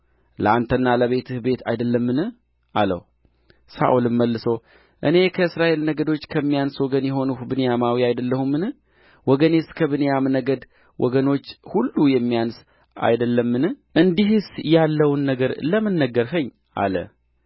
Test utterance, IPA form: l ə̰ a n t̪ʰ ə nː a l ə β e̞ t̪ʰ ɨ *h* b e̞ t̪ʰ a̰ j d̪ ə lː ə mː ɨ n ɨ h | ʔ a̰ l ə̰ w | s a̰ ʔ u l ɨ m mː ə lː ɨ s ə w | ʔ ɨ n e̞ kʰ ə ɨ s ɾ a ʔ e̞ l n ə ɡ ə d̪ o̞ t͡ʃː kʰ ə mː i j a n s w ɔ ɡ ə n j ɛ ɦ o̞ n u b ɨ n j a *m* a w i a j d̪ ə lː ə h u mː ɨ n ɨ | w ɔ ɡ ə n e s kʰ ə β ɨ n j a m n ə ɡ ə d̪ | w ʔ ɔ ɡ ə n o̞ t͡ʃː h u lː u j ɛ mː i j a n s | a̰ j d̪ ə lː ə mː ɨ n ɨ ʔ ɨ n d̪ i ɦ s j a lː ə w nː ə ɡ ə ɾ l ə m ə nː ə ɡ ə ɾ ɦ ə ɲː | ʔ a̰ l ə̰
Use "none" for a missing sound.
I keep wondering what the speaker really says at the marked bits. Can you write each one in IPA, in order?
h, m

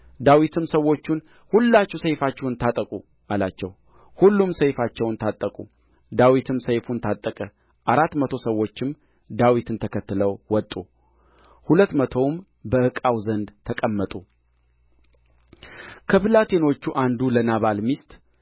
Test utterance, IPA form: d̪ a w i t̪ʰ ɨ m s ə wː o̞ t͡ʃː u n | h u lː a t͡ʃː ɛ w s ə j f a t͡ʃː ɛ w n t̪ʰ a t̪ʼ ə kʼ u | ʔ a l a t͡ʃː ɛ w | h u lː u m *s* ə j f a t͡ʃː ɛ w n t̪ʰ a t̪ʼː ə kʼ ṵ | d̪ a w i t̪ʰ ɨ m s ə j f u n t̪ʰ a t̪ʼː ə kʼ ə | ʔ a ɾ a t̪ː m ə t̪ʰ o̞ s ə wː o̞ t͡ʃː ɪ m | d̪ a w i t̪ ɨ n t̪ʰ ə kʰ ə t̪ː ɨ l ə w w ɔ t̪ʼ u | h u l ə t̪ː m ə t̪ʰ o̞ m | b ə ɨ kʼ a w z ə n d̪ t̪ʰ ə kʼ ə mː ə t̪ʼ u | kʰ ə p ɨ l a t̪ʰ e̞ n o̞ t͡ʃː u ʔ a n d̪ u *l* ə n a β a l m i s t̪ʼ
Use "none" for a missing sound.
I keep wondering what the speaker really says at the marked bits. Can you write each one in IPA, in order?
s, l

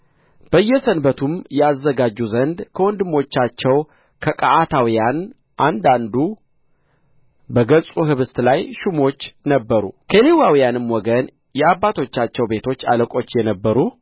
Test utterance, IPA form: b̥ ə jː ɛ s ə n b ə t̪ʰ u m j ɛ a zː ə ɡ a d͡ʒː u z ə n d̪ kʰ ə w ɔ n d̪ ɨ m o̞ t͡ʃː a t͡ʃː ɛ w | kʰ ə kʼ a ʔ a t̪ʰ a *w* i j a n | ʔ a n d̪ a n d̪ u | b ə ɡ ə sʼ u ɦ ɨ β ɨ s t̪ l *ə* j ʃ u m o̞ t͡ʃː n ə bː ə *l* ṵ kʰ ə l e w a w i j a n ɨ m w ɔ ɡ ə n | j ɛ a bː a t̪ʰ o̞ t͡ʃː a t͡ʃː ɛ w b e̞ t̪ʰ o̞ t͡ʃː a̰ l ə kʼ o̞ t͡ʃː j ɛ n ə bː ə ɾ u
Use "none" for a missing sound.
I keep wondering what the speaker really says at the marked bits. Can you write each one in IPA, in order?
w, a, ɾ

